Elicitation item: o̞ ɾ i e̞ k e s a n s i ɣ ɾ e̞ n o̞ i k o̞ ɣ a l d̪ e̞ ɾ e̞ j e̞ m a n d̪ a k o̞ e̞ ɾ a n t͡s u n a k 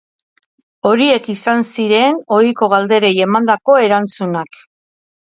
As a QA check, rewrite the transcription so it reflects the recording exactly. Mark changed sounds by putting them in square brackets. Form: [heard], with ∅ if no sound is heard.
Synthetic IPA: o̞ ɾ i e̞ k [i] s a n s i [∅] ɾ e̞ n o̞ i k o̞ ɣ a l d̪ e̞ ɾ e̞ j e̞ m a n d̪ a k o̞ e̞ ɾ a n t͡s u n a k

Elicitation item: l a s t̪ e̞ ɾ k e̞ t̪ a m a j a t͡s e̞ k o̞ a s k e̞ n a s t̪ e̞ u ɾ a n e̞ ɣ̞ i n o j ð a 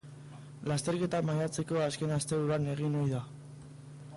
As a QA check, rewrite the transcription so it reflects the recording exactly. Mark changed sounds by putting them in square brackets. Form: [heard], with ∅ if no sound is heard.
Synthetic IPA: l a s t̪ e̞ ɾ k e̞ t̪ a m a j a t͡s e̞ k o̞ a s k e̞ n a s t̪ e̞ u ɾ a n e̞ ɣ̞ i n o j ð a

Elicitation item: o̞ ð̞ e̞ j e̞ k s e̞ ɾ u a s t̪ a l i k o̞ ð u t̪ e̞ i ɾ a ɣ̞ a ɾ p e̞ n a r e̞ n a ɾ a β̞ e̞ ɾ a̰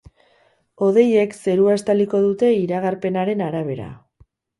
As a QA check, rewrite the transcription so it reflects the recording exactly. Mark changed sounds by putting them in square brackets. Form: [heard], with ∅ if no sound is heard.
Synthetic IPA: o̞ ð̞ e̞ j e̞ k s e̞ ɾ u a s t̪ a l i k o̞ ð u t̪ e̞ i ɾ a ɣ̞ a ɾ p e̞ n a [ɾ] e̞ n a ɾ a β̞ e̞ ɾ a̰

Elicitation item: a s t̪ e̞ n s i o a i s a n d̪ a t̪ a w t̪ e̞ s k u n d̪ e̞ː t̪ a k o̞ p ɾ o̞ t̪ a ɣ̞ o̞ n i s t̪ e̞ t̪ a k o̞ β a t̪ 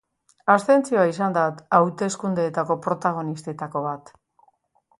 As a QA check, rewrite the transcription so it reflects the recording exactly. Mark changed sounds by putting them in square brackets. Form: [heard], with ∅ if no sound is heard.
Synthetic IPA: a s t̪ e̞ n [t͡s] i o a i s a n d̪ a t̪ a w t̪ e̞ s k u n d̪ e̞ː t̪ a k o̞ p ɾ o̞ t̪ a ɣ̞ o̞ n i s t̪ e̞ t̪ a k o̞ β a t̪

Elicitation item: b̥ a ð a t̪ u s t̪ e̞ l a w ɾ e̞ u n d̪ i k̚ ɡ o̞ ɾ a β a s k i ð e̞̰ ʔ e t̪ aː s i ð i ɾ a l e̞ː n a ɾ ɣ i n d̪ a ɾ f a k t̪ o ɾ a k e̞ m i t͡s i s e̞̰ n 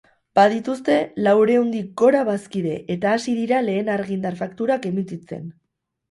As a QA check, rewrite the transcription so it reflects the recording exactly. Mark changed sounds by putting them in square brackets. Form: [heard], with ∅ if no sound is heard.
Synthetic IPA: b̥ a ð [i] t̪ u s t̪ e̞ l a w ɾ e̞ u n d̪ i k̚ ɡ o̞ ɾ a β a s k i ð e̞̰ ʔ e t̪ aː s i ð i ɾ a l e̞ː n a ɾ ɣ i n d̪ a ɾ f a k t̪ [u] ɾ a k e̞ m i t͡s i [t͡s] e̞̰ n

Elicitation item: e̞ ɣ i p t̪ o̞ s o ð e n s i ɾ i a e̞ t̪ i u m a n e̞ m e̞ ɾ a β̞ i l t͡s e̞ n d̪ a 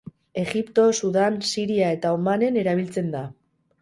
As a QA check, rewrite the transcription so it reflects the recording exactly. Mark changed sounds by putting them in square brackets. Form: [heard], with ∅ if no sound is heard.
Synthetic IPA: e̞ ɣ i p t̪ o̞ s [u] ð [a] n s i ɾ i a e̞ t̪ [a] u m a n e̞ [n] e̞ ɾ a β̞ i l t͡s e̞ n d̪ a

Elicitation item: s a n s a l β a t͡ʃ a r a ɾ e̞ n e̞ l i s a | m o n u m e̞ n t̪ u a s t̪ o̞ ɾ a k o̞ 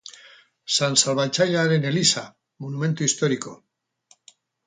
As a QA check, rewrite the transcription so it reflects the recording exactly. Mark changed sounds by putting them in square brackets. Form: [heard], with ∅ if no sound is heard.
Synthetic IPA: s a n s a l β a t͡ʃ a [ʎ] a ɾ e̞ n e̞ l i s a | m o n u m e̞ n t̪ u [i] s t̪ o̞ ɾ [i] k o̞

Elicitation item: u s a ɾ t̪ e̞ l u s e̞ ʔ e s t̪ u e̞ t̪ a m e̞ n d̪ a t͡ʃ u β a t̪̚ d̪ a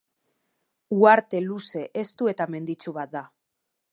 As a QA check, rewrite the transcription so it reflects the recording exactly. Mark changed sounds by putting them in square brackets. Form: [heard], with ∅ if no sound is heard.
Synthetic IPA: u [∅] a ɾ t̪ e̞ l u s e̞ ʔ e s t̪ u e̞ t̪ a m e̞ n d̪ [i] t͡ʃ u β a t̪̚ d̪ a

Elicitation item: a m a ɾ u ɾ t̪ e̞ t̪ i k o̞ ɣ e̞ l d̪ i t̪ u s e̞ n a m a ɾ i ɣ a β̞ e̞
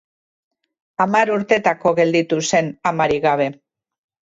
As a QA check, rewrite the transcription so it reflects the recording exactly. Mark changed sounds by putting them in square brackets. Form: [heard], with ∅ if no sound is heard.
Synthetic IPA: a m a ɾ u ɾ t̪ e̞ t̪ [a] k o̞ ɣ e̞ l d̪ i t̪ u s e̞ n a m a ɾ i ɣ a β̞ e̞

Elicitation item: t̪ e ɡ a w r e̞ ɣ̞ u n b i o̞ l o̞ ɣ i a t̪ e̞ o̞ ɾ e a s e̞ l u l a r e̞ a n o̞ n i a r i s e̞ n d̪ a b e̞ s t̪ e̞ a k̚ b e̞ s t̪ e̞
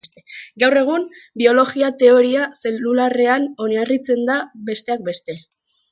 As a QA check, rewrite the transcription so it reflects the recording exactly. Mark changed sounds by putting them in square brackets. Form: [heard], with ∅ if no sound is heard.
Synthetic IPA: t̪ e ɡ a w r e̞ ɣ̞ u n b i o̞ l o̞ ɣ i a t̪ e̞ o̞ ɾ [i] a s e̞ l u l a r e̞ a n o̞ n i a r i [t͡s] e̞ n d̪ a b e̞ s t̪ e̞ a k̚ b e̞ s t̪ e̞

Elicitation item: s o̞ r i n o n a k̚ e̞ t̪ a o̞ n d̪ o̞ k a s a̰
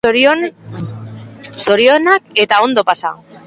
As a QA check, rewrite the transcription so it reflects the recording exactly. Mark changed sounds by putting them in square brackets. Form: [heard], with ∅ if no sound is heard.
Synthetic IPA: s o̞ [ɾ] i [∅] o n a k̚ e̞ t̪ a o̞ n d̪ o̞ [p] a s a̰

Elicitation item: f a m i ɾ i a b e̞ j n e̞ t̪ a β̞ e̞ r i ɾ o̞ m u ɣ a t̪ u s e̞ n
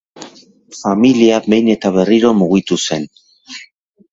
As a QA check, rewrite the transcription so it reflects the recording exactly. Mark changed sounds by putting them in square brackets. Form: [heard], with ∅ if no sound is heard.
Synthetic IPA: f a m i [l] i a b e̞ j n e̞ t̪ a β̞ e̞ r i ɾ o̞ m u ɣ [i] t̪ u s e̞ n

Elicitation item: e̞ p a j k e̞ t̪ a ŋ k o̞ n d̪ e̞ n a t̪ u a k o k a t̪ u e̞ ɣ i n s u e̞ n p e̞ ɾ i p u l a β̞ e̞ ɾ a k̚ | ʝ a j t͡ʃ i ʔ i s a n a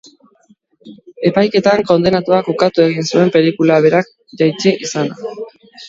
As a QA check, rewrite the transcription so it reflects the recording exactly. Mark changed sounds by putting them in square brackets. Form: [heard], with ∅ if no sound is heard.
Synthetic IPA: e̞ p a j k e̞ t̪ a ŋ k o̞ n d̪ e̞ n a t̪ u a k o k a t̪ u e̞ ɣ i n s u e̞ [m] p e̞ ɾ i [k] u l a β̞ e̞ ɾ a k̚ | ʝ a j t͡ʃ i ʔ i s a n a

